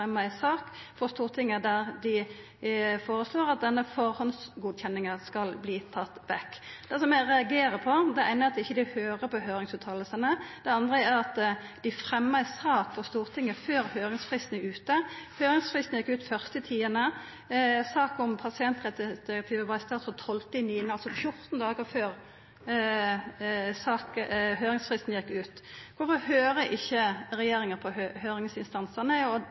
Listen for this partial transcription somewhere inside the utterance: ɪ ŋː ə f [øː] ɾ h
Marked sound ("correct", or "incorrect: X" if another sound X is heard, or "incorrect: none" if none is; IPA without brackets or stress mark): correct